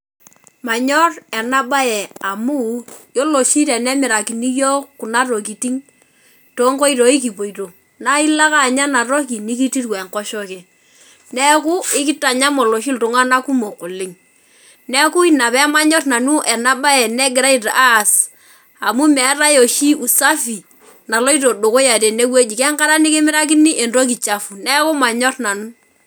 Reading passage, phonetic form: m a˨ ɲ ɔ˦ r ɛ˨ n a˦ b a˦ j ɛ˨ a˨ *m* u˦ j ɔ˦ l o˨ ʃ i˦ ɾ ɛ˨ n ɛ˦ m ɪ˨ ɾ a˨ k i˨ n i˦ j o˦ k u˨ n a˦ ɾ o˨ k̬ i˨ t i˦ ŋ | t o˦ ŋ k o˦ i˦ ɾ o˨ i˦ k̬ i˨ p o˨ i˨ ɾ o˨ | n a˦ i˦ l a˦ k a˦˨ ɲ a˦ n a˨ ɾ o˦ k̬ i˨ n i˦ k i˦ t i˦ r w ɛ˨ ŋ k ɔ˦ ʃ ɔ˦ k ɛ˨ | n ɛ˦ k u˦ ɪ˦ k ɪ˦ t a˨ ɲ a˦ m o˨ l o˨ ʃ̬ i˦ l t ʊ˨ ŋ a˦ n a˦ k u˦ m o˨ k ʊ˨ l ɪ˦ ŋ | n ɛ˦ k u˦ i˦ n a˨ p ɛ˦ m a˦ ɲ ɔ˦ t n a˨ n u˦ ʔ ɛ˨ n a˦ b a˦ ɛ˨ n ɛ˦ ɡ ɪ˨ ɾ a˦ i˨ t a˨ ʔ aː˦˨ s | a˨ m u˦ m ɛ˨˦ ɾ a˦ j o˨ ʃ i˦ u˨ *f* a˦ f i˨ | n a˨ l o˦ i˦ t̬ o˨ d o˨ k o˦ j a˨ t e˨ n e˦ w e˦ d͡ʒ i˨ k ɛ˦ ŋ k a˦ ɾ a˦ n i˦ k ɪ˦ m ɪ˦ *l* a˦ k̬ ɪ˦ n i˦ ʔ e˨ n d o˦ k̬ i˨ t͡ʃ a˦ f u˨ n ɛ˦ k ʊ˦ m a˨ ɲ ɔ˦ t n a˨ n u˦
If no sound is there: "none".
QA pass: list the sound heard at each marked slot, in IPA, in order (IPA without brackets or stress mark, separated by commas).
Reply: m, s, ɾ